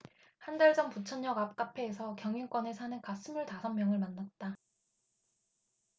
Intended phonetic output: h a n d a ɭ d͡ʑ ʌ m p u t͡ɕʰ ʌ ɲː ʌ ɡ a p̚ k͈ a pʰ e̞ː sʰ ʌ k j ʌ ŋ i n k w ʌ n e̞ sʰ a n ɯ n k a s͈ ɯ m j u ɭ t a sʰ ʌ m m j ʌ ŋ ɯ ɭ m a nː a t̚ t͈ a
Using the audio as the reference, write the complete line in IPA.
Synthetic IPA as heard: h a n d a ɭ d͡ʑ ʌ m p u t͡ɕʰ ʌ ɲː ʌ ɡ a p̚ k͈ a pʰ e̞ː sʰ ʌ k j ʌ ŋ i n k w ʌ n e̞ sʰ a n ɯ n k a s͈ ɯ m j u ɭ t a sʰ ʌ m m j ʌ ŋ ɯ ɭ m a nː a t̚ t͈ a